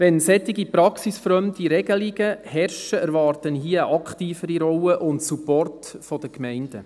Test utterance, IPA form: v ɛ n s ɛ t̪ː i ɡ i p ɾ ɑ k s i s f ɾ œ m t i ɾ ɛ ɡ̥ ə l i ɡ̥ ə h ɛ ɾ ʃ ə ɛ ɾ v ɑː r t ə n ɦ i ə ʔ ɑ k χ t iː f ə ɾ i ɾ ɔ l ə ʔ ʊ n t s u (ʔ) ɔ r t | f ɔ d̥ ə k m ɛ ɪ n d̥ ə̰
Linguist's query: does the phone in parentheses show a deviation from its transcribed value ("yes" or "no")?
yes